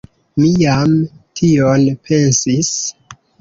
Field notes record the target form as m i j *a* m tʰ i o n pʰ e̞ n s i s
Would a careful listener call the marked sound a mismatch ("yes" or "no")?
no